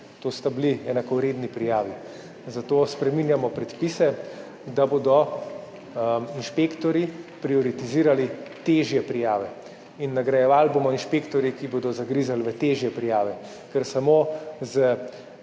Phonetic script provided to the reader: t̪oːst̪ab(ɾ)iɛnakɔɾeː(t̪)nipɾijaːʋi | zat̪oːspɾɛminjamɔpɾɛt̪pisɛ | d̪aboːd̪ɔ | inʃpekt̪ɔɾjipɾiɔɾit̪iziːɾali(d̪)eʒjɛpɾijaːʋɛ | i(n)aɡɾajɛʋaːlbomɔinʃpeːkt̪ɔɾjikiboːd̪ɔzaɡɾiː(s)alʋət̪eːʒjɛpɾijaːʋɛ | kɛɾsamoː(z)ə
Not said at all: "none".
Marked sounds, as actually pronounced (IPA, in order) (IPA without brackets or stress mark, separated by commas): l, d̪, t̪, nː, z, z